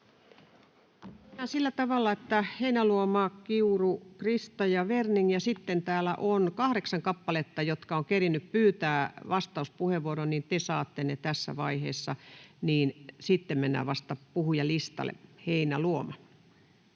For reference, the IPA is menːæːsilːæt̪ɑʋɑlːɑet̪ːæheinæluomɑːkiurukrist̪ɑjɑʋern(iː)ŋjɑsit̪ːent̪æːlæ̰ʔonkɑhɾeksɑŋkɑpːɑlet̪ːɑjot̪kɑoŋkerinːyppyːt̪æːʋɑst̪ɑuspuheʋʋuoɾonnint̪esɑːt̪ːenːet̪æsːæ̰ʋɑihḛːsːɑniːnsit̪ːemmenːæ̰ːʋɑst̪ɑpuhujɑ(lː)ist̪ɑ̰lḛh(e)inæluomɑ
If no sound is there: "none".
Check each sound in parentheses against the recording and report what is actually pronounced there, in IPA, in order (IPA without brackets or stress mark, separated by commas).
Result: i, l, e